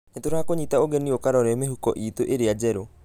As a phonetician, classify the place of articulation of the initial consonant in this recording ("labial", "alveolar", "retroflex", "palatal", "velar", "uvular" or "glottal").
alveolar